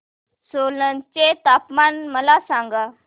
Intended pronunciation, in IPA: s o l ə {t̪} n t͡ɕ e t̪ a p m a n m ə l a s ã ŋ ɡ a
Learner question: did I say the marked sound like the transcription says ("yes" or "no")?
no